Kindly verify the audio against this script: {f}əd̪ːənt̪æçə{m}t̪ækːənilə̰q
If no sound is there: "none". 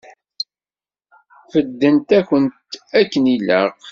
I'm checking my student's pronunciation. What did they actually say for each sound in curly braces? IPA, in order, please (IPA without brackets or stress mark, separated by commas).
f, n